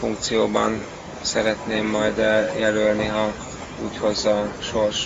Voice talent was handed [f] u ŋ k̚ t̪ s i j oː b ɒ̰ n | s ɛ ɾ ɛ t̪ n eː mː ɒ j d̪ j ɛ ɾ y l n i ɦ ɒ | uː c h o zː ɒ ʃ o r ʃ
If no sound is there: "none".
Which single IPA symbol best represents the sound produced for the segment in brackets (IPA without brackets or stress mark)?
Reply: f